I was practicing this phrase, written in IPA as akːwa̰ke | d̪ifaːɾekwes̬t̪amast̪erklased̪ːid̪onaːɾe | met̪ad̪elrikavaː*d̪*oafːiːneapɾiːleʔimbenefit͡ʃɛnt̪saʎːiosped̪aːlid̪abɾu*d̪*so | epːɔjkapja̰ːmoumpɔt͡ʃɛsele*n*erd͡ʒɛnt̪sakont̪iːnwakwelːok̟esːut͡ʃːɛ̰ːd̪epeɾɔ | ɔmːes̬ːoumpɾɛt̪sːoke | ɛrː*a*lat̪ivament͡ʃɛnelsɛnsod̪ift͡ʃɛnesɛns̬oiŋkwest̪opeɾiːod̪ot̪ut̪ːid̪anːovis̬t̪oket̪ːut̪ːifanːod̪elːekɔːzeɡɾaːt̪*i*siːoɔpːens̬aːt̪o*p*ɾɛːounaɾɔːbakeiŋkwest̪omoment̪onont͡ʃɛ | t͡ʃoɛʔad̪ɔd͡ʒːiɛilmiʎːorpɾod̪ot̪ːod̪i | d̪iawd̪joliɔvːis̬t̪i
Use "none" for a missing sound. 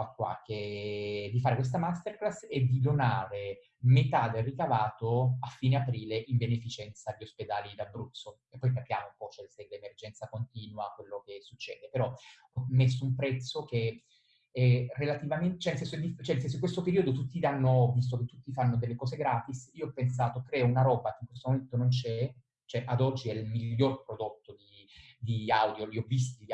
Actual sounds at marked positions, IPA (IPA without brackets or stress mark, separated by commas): t̪, t̪, m, e, i, k